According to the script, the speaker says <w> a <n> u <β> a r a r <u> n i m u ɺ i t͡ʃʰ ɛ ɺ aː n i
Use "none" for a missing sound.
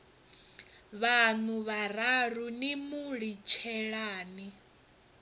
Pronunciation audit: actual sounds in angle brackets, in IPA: β, n, β, u

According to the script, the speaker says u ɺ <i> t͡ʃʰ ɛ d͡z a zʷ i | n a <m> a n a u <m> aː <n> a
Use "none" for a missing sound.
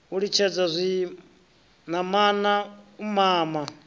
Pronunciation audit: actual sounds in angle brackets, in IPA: i, m, m, m

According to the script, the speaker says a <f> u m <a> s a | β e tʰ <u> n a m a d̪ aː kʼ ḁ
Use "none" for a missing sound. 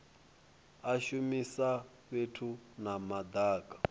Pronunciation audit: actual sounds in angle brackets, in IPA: ʃ, i, u

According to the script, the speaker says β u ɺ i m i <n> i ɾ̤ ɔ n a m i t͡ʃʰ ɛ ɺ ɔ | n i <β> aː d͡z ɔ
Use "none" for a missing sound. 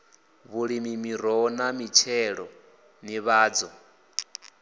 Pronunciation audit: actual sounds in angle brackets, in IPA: m, β

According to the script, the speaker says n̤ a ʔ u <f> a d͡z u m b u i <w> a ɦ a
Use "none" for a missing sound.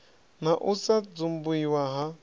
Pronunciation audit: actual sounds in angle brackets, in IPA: s, w

